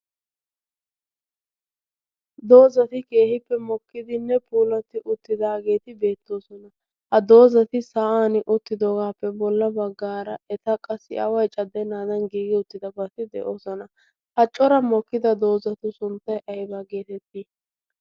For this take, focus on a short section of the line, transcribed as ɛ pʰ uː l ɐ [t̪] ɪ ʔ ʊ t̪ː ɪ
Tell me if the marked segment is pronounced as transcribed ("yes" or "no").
yes